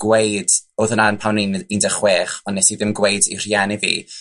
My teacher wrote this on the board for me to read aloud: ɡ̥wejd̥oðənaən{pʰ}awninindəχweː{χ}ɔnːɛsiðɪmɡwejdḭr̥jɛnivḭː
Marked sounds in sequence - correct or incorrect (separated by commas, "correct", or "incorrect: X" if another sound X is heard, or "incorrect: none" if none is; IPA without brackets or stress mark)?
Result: correct, correct